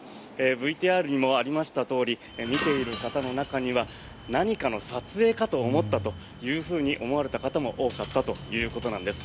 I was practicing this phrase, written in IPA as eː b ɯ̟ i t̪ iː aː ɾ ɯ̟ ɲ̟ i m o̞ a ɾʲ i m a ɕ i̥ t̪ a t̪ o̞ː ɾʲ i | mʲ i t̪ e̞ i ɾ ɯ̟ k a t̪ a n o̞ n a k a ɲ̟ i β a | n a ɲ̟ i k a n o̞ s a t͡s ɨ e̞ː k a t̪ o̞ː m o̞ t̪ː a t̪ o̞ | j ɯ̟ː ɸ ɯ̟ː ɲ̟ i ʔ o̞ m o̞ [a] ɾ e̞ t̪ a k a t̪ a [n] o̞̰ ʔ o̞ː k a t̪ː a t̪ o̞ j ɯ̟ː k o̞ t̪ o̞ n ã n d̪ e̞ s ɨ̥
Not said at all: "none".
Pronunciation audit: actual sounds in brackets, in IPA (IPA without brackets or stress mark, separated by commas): a, m